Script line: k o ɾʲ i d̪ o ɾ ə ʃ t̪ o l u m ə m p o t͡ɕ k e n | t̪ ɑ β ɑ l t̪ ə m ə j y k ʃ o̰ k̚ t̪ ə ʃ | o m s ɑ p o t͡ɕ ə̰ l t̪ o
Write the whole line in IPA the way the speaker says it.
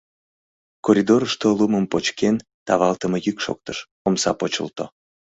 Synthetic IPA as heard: k o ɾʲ i d̪ o ɾ ə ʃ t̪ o l u m ə m p o t͡ɕ k e n | t̪ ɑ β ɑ l t̪ ə m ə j y k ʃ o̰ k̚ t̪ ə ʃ | o m s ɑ p o t͡ɕ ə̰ l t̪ o